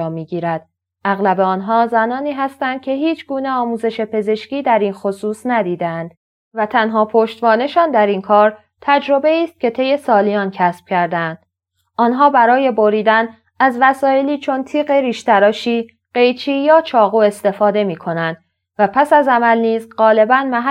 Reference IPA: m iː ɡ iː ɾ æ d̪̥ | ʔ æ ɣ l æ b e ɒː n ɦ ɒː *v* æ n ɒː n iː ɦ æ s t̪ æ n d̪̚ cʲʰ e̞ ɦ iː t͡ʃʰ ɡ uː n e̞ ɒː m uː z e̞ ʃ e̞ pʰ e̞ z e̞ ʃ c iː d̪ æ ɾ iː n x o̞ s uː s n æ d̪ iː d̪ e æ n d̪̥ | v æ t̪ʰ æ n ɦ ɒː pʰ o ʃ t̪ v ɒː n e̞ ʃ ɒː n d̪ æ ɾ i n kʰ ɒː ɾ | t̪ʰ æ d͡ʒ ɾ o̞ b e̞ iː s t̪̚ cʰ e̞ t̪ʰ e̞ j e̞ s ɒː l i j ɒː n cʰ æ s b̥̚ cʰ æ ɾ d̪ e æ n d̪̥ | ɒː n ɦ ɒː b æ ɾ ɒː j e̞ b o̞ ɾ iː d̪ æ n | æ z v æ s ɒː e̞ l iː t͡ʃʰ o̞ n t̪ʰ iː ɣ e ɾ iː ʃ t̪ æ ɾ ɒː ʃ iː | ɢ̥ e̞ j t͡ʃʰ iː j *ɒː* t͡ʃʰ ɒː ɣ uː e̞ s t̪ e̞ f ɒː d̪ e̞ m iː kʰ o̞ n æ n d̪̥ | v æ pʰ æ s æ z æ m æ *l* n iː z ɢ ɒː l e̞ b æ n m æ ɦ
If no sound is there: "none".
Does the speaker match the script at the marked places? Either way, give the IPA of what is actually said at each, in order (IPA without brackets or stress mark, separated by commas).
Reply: z, ɒː, l